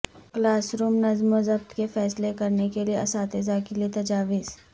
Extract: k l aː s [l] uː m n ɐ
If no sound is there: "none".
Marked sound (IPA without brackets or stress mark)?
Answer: ɾ